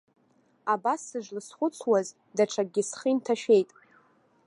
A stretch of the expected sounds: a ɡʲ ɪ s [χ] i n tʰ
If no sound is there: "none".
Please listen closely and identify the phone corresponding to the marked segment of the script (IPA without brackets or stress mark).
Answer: χ